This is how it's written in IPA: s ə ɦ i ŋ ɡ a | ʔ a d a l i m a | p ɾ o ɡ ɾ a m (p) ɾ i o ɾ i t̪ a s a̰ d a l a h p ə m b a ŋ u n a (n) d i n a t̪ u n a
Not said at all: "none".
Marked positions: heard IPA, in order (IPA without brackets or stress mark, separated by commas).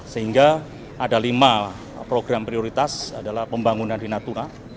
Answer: p, n